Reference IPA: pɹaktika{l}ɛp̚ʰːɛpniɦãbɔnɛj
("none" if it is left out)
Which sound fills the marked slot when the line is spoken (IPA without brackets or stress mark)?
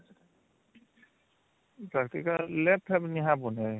l